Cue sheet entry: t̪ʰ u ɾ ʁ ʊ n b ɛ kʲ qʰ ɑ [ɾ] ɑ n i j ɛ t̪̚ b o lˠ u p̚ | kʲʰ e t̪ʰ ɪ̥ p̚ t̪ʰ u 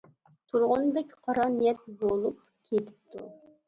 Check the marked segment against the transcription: correct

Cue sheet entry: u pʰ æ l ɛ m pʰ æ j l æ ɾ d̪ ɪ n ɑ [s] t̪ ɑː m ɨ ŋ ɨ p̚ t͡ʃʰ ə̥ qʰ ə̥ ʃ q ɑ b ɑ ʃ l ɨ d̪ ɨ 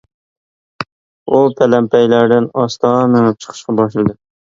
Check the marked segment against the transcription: correct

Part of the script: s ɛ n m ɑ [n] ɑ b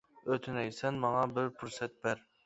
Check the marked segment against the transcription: incorrect: ŋ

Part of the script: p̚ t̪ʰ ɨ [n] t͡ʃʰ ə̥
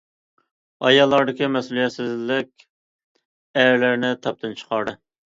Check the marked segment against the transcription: correct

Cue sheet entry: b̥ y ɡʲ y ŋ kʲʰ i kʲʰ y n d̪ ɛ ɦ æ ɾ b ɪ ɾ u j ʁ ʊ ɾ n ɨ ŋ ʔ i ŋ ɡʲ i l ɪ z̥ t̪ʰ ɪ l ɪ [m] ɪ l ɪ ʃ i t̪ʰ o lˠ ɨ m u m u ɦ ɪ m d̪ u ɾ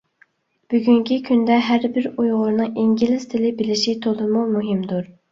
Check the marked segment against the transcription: incorrect: b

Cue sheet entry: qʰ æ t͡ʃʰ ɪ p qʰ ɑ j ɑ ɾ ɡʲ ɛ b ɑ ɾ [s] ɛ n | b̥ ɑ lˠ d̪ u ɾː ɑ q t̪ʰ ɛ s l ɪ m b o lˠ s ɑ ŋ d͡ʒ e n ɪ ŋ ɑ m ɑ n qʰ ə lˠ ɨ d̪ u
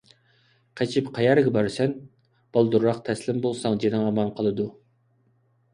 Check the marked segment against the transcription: correct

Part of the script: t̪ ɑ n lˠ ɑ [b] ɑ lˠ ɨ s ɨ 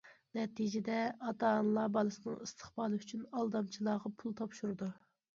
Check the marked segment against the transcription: correct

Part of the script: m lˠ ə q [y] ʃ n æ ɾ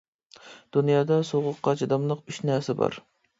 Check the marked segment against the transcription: correct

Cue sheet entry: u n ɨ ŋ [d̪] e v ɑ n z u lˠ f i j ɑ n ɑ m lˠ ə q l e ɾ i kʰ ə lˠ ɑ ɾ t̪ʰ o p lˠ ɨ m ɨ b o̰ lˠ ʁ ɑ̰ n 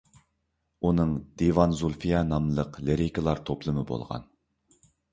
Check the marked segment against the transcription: correct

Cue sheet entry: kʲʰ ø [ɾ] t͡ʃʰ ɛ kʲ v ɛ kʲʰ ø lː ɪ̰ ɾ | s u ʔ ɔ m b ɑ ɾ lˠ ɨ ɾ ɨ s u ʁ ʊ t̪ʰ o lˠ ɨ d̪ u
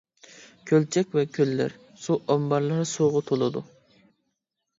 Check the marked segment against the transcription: incorrect: l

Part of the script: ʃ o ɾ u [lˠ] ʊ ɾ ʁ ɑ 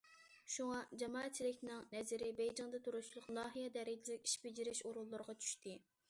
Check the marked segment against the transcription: incorrect: lˠː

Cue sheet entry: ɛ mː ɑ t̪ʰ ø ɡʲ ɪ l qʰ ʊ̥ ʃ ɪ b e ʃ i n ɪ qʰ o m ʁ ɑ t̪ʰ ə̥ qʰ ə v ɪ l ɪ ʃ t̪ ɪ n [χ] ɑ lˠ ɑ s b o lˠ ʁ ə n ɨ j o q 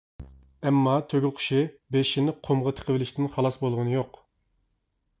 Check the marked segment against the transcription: correct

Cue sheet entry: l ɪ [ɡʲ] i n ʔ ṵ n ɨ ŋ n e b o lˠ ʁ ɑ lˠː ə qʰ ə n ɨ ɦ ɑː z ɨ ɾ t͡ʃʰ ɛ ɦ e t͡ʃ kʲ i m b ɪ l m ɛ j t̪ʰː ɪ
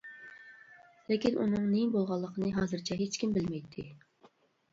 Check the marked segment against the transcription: incorrect: kʲ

